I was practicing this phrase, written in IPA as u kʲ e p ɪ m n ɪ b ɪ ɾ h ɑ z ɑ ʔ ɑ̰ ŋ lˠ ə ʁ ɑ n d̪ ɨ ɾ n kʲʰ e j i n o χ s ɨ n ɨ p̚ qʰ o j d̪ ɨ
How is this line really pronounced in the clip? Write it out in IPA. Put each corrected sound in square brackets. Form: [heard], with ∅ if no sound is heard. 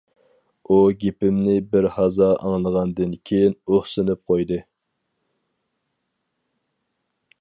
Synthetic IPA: u [ɡʲ] e p ɪ m n ɪ b ɪ ɾ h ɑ z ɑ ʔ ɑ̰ ŋ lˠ ə ʁ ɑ n d̪ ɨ [∅] n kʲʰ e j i n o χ s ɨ n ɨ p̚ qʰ o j d̪ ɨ